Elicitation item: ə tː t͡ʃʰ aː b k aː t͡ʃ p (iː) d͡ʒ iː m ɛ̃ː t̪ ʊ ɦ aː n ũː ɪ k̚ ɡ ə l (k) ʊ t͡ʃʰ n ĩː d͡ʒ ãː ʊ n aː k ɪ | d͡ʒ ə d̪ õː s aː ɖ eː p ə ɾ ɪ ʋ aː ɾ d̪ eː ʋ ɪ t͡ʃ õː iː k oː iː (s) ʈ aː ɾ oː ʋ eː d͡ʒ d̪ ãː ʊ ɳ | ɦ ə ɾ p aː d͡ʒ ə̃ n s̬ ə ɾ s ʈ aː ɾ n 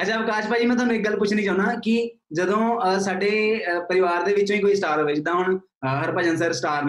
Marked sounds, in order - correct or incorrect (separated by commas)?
incorrect, incorrect, correct